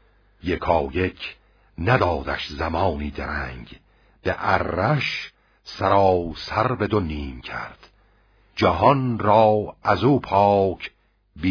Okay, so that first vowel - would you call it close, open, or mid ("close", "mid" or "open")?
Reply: mid